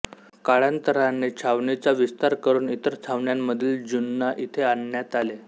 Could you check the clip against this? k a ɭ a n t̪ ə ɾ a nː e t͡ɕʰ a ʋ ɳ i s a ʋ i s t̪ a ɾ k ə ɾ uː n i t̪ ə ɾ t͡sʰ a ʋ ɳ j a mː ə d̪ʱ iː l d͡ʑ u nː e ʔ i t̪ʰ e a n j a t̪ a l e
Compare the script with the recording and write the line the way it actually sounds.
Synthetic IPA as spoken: k a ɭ a n t̪ ə ɾ a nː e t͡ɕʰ a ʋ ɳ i t͡s a ʋ i s t̪ a ɾ k ə ɾ uː n i t̪ ə ɾ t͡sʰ a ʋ ɳ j a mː ə d̪ʱ iː l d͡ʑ u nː a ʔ i t̪ʰ e a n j a t̪ a l e